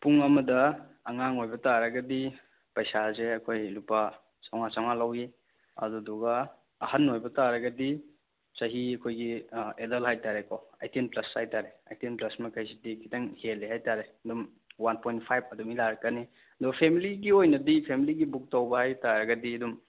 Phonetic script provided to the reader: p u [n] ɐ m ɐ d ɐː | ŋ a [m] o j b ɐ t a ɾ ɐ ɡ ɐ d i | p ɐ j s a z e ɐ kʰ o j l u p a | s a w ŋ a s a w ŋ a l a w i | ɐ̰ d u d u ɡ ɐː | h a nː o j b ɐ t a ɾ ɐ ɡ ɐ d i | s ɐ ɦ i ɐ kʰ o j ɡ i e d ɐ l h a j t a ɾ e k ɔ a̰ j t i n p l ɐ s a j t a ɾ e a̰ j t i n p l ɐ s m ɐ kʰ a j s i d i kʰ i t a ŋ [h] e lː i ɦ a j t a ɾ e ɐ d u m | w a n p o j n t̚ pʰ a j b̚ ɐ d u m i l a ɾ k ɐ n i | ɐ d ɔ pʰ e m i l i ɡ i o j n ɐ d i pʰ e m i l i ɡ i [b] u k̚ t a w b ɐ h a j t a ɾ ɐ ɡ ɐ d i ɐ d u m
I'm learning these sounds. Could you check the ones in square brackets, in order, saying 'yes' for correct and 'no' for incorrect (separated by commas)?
no, no, yes, yes